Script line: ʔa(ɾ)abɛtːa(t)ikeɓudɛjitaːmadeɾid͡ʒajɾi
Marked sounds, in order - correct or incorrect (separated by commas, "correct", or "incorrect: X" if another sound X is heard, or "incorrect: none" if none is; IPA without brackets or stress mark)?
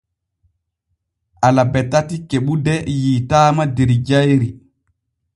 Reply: incorrect: l, correct